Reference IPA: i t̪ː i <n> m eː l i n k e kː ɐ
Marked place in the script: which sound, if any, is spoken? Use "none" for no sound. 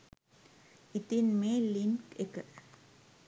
n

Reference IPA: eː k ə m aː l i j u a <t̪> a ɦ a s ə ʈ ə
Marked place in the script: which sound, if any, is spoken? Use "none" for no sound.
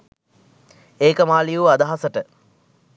d̪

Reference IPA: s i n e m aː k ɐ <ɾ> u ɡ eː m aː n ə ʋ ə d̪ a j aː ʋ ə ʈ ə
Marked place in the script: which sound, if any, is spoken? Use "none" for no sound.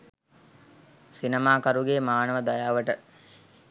ɾ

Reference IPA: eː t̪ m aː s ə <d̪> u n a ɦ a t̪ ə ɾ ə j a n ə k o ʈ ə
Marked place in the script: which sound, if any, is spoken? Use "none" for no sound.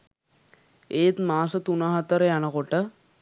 t̪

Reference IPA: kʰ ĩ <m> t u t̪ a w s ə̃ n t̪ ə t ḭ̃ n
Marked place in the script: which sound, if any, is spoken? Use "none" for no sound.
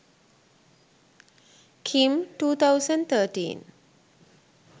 m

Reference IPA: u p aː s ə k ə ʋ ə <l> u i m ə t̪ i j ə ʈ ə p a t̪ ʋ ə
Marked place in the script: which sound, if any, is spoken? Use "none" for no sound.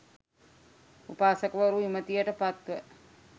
ɾ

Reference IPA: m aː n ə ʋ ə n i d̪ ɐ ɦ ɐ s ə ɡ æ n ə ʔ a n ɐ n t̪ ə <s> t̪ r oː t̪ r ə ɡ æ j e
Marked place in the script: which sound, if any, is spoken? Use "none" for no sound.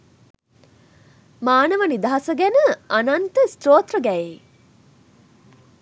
s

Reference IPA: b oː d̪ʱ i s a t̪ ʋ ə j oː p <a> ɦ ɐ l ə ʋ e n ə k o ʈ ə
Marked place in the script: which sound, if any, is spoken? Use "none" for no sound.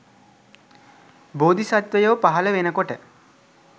a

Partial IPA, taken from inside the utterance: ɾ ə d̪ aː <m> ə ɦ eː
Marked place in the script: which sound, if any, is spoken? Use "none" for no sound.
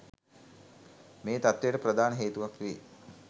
n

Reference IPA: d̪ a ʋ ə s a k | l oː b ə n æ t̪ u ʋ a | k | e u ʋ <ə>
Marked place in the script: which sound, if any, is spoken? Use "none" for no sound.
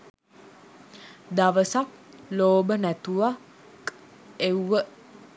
ə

